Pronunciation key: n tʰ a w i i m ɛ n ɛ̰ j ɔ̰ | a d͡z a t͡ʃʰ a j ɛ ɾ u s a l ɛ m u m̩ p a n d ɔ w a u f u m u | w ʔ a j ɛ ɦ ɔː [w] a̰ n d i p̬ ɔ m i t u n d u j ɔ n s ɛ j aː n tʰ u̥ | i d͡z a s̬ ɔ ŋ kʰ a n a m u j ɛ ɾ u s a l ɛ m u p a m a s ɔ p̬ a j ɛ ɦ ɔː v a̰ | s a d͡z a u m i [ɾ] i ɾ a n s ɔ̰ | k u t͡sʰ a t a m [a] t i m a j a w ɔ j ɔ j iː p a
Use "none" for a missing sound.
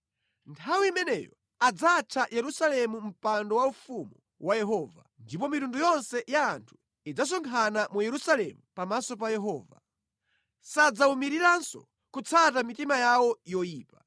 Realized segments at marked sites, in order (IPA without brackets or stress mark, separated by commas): v, ɾ, i